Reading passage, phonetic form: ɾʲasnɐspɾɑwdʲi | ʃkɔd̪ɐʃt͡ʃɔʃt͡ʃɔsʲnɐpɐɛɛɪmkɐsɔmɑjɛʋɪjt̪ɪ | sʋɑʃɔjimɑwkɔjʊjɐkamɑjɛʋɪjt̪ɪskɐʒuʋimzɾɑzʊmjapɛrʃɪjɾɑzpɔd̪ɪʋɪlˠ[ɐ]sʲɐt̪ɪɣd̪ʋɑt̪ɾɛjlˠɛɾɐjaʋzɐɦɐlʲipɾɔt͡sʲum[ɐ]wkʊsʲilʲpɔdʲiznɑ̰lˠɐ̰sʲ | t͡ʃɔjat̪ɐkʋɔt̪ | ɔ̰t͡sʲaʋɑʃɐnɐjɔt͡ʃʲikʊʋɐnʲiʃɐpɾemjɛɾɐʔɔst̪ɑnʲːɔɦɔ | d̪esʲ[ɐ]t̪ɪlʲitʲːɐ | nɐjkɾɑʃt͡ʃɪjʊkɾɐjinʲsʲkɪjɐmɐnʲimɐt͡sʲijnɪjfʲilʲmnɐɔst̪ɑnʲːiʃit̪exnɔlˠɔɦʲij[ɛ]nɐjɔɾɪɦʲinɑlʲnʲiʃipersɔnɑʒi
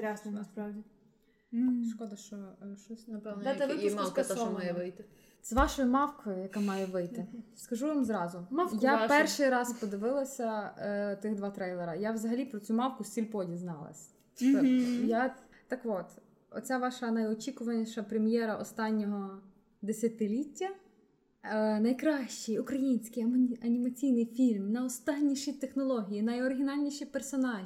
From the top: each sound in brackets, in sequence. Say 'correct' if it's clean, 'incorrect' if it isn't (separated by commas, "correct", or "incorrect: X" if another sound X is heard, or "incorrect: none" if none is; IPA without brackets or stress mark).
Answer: correct, incorrect: ɑ, correct, incorrect: i